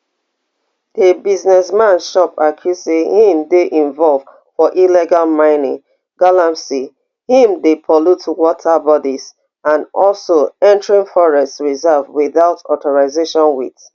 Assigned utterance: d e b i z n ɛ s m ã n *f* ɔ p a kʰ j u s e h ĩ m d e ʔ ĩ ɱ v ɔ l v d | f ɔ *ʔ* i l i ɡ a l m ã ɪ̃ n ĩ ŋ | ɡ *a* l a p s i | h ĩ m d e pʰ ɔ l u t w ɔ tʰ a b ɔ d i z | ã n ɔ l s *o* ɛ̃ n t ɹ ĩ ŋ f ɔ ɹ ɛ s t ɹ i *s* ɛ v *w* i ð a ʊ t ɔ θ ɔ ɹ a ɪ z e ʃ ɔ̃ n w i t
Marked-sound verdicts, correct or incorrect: incorrect, correct, correct, correct, incorrect, correct

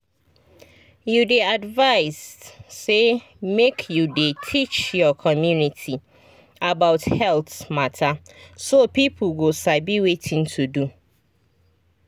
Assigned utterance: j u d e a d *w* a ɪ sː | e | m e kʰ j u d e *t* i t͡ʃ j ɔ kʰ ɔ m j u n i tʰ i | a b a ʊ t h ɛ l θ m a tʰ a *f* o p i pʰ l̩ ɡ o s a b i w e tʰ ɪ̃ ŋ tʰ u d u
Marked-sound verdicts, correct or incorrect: incorrect, incorrect, incorrect

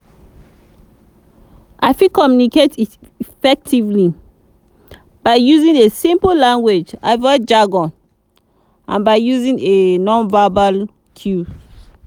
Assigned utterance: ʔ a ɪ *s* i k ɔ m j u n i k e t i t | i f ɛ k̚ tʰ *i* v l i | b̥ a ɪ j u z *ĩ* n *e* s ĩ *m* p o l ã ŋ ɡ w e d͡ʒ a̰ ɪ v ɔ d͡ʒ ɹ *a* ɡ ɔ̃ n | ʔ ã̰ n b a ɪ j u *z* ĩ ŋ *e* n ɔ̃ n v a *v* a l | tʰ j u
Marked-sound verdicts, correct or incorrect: incorrect, correct, correct, correct, correct, correct, correct, correct, incorrect

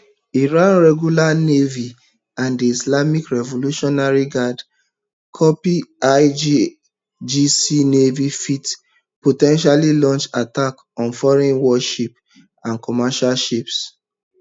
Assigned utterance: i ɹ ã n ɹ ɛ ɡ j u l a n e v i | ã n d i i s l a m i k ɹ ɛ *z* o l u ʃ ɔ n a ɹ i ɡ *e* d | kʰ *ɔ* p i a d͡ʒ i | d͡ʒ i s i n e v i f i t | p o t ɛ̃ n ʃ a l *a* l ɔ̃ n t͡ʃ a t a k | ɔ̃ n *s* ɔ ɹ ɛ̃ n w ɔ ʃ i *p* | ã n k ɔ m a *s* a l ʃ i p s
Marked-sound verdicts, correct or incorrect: incorrect, incorrect, correct, incorrect, incorrect, correct, incorrect

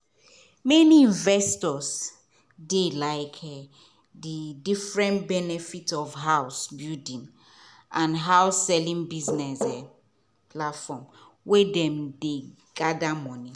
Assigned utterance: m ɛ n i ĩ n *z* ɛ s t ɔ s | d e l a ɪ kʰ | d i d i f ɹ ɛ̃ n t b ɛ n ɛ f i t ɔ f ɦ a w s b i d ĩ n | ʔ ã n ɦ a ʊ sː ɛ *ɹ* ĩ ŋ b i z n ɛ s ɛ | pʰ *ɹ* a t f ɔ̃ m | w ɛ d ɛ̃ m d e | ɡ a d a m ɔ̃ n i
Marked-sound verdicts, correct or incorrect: incorrect, incorrect, incorrect

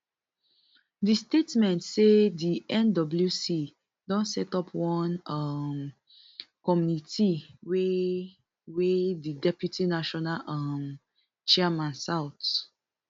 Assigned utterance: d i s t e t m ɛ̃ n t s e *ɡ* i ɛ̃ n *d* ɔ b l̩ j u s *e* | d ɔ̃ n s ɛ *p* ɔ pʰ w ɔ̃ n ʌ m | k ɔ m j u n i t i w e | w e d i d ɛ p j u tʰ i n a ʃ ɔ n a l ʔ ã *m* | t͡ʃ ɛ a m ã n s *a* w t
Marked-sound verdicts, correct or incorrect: incorrect, correct, incorrect, incorrect, correct, correct

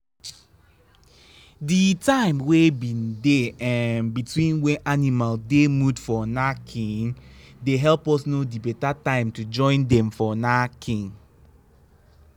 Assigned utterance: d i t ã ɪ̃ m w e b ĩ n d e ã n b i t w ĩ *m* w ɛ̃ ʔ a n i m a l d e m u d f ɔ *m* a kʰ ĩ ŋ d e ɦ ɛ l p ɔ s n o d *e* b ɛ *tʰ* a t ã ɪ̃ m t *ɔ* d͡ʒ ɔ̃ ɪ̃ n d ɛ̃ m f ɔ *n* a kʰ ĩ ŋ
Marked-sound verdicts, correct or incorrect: incorrect, incorrect, incorrect, incorrect, incorrect, correct

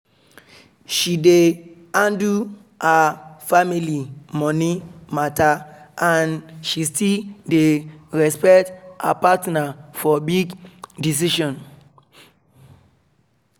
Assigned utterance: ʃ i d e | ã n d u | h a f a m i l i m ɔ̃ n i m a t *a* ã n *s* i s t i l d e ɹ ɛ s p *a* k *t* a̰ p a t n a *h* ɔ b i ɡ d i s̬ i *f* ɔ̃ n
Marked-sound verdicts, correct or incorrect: correct, incorrect, incorrect, correct, incorrect, incorrect

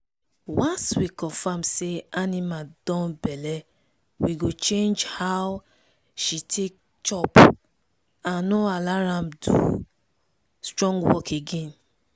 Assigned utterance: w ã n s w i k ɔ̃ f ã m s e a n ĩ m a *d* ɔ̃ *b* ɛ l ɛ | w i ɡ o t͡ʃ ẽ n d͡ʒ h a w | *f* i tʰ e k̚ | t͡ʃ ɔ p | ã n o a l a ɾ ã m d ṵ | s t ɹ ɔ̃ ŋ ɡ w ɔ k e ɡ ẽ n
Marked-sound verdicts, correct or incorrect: correct, correct, incorrect

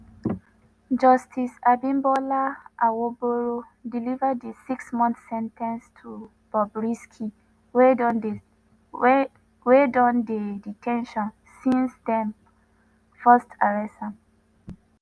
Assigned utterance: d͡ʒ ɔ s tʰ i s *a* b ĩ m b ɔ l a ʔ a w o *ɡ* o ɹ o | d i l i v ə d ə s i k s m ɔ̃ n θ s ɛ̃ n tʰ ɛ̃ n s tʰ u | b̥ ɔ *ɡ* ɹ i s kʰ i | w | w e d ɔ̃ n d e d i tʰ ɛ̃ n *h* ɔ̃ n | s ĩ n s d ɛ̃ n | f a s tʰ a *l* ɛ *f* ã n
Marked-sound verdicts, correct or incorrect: correct, incorrect, incorrect, incorrect, incorrect, incorrect

